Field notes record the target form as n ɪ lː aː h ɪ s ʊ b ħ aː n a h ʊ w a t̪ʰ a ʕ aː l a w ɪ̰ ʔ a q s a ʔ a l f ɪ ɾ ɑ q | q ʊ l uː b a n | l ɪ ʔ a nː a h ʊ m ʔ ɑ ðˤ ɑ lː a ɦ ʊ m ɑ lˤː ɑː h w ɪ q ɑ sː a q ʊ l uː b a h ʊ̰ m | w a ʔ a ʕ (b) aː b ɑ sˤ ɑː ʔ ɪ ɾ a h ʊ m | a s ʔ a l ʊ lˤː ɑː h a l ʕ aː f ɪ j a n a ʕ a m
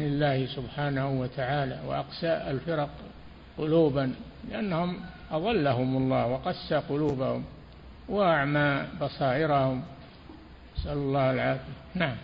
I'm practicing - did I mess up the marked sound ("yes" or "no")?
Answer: yes